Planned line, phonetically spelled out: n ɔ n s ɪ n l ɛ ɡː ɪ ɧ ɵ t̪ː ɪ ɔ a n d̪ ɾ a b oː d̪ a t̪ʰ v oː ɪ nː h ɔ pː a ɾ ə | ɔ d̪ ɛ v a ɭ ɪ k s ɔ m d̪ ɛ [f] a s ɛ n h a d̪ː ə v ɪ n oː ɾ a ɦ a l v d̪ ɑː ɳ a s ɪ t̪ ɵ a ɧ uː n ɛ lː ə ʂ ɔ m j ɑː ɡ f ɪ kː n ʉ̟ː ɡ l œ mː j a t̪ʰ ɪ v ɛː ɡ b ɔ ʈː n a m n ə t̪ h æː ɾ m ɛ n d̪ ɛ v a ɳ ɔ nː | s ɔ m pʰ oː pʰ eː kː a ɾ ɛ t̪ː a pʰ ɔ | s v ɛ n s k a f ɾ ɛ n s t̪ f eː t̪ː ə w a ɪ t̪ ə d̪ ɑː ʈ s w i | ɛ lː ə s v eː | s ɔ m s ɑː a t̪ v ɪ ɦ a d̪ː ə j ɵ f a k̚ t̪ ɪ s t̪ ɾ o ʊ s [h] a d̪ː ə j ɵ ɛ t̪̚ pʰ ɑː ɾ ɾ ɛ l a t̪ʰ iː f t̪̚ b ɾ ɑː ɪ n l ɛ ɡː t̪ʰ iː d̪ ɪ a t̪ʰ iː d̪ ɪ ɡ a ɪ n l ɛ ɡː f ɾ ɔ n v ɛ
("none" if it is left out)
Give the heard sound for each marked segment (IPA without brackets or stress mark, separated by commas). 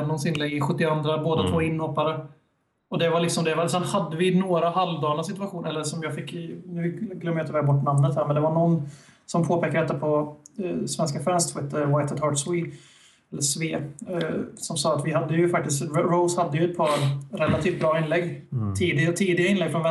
v, h